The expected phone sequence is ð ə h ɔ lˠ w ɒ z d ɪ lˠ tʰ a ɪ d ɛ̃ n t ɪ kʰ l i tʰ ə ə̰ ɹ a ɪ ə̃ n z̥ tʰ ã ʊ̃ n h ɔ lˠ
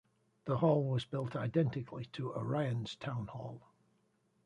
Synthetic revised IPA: ð ə h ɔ lˠ w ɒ z b ɪ lˠ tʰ a ɪ d ɛ̃ n t ɪ kʰ l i tʰ ə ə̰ ɹ a ɪ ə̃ n z̥ tʰ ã ʊ̃ n h ɔ lˠ